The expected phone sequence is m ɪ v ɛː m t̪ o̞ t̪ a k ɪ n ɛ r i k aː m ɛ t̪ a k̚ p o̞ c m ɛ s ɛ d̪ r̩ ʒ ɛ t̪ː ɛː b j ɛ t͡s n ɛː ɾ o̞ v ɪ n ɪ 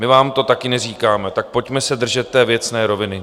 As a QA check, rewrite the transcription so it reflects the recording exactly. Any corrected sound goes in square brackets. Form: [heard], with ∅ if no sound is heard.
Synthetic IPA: m ɪ v [aː] m t̪ o̞ t̪ a k ɪ n ɛ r [iː] k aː m ɛ t̪ a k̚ p o̞ c m ɛ s ɛ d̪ r̩ ʒ ɛ t̪ː ɛː [v] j ɛ t͡s n ɛː ɾ o̞ v ɪ n ɪ

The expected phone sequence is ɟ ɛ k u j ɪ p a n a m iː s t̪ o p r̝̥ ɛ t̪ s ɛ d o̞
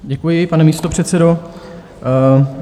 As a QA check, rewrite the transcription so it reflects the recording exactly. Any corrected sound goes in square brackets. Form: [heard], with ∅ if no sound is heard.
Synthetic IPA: ɟ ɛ k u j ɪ p a n [ɛ] m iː s t̪ o p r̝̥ ɛ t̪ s ɛ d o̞

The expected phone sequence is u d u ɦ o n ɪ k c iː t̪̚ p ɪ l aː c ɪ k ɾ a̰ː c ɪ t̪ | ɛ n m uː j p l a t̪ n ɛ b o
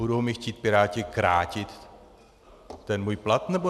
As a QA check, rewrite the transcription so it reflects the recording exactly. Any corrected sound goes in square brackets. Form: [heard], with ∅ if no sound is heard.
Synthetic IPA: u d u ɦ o [m] ɪ [x] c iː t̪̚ p ɪ [ɾ] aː c ɪ k ɾ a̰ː c ɪ t̪ | ɛ n m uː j p l a t̪ n ɛ b o

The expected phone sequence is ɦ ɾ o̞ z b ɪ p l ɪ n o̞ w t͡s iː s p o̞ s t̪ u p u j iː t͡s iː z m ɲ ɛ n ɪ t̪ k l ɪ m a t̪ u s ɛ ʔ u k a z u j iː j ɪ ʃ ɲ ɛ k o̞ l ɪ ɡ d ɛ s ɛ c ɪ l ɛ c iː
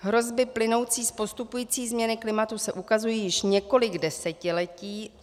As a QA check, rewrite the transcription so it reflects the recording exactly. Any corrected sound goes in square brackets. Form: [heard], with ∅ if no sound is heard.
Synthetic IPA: ɦ ɾ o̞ z b ɪ p l ɪ n o̞ w t͡s iː s p o̞ s t̪ u p u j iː t͡s iː z m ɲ ɛ n ɪ [∅] k l ɪ m a t̪ u s ɛ ʔ u k a z u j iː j ɪ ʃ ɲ ɛ k o̞ l ɪ ɡ d ɛ s ɛ c ɪ l ɛ c iː

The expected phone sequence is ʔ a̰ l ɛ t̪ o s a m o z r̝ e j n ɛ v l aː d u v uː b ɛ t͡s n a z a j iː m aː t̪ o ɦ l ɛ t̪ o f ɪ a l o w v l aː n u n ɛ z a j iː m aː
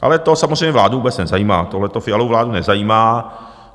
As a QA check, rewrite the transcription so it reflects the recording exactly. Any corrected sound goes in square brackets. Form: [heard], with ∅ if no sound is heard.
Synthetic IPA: ʔ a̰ l ɛ t̪ o s a m o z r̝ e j [ɲ] ɛ v l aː d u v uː b ɛ t͡s n [ɛ] z a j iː m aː t̪ o ɦ l ɛ t̪ o f ɪ a l o w v l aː [d] u n ɛ z a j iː m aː

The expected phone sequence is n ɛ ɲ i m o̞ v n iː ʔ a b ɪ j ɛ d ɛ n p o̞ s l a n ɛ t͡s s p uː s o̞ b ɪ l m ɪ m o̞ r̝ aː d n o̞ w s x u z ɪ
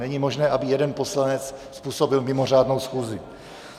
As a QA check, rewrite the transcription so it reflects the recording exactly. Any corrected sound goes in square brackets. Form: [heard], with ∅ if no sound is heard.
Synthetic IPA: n ɛ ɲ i m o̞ [ʒ] n [ɛː] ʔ a b ɪ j ɛ d ɛ n p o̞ s l a n ɛ t͡s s p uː s o̞ b ɪ l m ɪ m o̞ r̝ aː d n o̞ w s x [uː] z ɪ

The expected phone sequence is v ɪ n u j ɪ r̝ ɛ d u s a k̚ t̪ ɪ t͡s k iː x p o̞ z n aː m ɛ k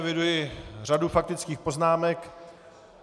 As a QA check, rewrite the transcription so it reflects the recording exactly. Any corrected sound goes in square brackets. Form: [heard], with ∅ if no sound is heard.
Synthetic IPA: v ɪ [d] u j ɪ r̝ [a] d u [f] a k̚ t̪ ɪ t͡s k iː x p o̞ z n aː m ɛ k

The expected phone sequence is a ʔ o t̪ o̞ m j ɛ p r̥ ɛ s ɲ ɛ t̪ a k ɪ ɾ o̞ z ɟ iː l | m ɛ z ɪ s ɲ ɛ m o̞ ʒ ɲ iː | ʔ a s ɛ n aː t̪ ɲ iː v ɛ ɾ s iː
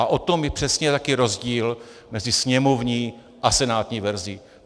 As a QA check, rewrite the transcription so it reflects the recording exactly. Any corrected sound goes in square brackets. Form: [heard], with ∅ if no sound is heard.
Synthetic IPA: a ʔ o t̪ o̞ m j ɛ p r̥ ɛ s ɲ ɛ t̪ a k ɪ ɾ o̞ z ɟ iː l | m ɛ z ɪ s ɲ ɛ m o̞ [v] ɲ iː | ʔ a s ɛ n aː t̪ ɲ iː v ɛ ɾ [z] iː

